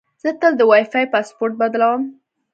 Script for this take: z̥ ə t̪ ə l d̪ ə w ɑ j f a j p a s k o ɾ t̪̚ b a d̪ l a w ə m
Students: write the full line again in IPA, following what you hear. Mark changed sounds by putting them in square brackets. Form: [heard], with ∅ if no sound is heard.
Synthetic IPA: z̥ ə t̪ ə l d̪ ə w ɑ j f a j p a s [p] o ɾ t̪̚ b a d̪ l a w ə m

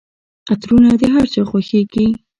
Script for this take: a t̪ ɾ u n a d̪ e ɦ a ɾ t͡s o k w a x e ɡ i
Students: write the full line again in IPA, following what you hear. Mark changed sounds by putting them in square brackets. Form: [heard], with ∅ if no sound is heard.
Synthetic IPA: a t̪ ɾ u n a d̪ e ɦ a ɾ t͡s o [x] w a x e ɡ i

